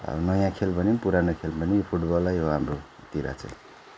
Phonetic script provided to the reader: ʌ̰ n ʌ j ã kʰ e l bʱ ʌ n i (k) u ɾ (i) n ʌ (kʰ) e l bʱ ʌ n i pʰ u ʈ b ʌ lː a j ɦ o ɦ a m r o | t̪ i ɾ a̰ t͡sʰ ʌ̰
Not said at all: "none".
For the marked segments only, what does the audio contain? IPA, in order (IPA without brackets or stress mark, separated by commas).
p, a, kʰ